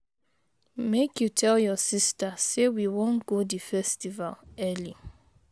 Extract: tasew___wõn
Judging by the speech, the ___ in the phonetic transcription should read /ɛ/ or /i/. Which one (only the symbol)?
i